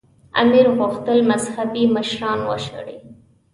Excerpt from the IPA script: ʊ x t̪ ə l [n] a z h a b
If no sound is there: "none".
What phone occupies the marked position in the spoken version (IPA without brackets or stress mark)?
m